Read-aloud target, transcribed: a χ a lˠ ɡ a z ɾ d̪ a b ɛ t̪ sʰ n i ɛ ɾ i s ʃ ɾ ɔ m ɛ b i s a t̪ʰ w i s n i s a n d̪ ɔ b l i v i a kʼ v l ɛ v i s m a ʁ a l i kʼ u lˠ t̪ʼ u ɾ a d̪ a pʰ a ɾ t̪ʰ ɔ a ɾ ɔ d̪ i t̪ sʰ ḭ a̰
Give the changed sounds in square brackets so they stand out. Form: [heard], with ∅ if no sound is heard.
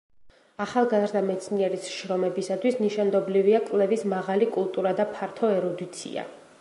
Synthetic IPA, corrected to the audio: a χ a lˠ ɡ a z ɾ d̪ a [m] ɛ t̪ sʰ n i ɛ ɾ i s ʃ ɾ ɔ m ɛ b i s a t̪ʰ w i s n i [ʃ] a n d̪ ɔ b l i v i a kʼ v l ɛ v i s m a ʁ a l i kʼ u lˠ t̪ʼ u ɾ a d̪ a pʰ a ɾ t̪ʰ ɔ [ɛ] ɾ ɔ d̪ i t̪ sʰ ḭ a̰